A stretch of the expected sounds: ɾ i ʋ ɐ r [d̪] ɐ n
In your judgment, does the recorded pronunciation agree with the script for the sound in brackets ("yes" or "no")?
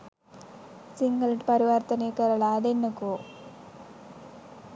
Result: no